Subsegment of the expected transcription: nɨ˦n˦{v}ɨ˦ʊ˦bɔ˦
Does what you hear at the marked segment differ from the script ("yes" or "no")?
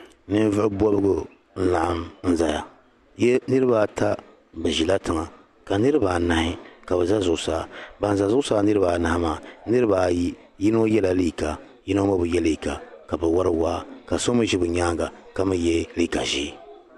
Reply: no